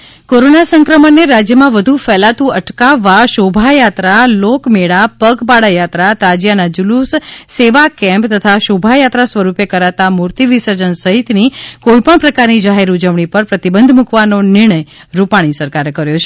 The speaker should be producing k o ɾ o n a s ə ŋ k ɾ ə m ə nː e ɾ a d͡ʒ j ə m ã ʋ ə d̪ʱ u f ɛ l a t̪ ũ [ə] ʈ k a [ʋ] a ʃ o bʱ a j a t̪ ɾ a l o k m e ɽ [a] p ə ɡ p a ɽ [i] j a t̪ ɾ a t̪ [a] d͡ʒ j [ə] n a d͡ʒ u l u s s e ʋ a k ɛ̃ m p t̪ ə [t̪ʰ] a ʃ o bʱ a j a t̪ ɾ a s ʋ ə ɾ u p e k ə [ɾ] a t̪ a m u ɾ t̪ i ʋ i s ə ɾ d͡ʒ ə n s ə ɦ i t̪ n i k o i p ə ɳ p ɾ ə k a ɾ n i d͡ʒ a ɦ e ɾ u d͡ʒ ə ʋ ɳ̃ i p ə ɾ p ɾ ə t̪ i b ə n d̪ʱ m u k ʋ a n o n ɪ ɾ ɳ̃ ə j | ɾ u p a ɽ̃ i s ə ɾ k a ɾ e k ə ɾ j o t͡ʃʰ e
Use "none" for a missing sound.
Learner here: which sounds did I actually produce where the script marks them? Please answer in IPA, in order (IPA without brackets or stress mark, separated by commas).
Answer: ə, ʋː, a, a, a, a, t̪ʰ, ɾ